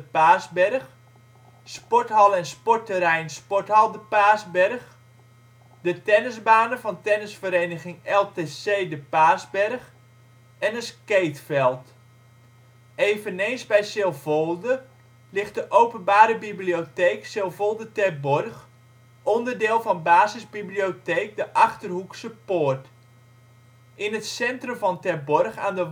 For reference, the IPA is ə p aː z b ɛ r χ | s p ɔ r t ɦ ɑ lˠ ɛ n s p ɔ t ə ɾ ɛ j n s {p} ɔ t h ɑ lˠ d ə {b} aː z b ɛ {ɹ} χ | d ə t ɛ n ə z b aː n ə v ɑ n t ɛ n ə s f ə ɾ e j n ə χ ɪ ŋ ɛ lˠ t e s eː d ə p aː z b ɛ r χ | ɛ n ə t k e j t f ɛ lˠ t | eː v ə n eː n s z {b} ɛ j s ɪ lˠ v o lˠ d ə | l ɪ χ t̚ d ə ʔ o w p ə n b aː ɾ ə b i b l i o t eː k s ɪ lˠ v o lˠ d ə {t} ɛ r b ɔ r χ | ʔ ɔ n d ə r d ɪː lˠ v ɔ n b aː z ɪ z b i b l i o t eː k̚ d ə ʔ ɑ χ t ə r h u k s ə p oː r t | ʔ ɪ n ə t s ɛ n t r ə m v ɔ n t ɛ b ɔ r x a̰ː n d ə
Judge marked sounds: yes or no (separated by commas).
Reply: yes, no, no, yes, yes